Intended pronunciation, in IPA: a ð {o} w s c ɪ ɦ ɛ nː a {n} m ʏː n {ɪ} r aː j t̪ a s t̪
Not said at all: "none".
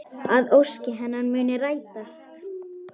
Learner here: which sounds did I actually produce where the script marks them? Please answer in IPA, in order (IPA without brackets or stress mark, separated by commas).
o, n, ɪ